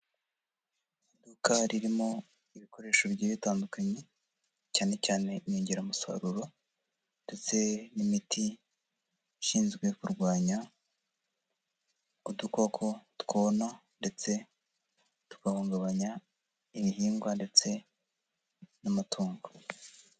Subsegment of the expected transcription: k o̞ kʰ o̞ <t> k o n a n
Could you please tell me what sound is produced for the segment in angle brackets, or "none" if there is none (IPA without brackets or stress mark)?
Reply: t